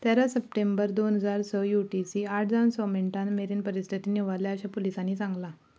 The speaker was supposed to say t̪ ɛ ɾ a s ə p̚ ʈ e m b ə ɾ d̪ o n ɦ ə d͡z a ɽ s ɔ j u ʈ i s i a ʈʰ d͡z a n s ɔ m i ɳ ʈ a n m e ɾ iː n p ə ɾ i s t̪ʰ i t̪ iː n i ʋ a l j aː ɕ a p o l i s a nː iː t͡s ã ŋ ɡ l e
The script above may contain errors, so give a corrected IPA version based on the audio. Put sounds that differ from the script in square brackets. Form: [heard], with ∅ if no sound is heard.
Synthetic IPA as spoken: t̪ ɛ ɾ a s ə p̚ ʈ e m b ə ɾ d̪ o n ɦ ə d͡z a [ɾ] s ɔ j u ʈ i s i a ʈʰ d͡z a n s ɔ m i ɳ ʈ a n m e ɾ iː n p ə ɾ i s t̪ʰ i t̪ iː n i ʋ a l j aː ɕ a p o l i s a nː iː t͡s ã ŋ ɡ l [a]